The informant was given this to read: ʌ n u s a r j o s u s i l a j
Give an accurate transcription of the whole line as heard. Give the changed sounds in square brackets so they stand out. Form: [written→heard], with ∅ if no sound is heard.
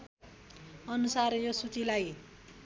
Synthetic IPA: ʌ n u s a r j o s u [s→t͡s] i l a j